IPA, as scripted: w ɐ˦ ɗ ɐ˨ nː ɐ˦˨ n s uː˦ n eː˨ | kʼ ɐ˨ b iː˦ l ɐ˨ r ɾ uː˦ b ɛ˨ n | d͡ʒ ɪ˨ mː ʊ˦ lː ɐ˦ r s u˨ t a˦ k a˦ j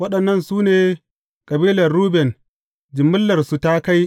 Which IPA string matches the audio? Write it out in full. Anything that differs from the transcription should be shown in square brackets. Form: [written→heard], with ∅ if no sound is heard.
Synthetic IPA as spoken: w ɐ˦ ɗ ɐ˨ nː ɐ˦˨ n s uː˦ n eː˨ | kʼ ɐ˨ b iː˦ l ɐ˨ r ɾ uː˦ b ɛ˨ n | d͡ʒ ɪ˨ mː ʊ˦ lː [ɐ˦→ɐ˨] r s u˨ t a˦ k a˦ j